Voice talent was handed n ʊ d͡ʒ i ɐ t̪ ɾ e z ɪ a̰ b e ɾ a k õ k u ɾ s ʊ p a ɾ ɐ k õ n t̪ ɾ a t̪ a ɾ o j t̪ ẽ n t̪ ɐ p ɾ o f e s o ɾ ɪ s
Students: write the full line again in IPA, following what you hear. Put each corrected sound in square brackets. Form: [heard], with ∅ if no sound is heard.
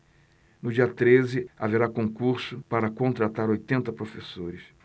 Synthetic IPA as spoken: n ʊ d͡ʒ i ɐ t̪ ɾ e z ɪ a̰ [v] e ɾ a k õ k u ɾ s ʊ p a ɾ ɐ k õ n t̪ ɾ a t̪ a ɾ o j t̪ ẽ n t̪ ɐ p ɾ o f e s o ɾ ɪ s